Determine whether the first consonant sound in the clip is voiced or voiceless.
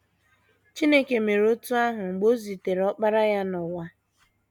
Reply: voiceless